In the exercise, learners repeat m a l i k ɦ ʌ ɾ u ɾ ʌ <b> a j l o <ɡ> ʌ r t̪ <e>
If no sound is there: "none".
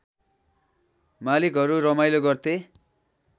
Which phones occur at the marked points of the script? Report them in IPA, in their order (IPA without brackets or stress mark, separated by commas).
m, ɡ, e